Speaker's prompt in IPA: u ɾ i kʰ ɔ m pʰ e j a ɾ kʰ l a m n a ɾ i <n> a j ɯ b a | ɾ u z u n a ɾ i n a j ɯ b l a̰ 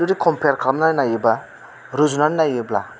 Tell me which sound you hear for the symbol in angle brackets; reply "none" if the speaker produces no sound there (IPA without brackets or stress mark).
n